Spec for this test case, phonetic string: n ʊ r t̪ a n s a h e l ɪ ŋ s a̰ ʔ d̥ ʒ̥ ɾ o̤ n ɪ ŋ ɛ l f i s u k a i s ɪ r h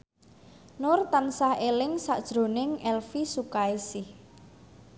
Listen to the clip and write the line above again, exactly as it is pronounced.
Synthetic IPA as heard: n ʊ r t̪ a n s a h e l ɪ ŋ s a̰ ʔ d̥ ʒ̥ ɾ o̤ n ɪ ŋ ɛ l f i s u k a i s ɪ h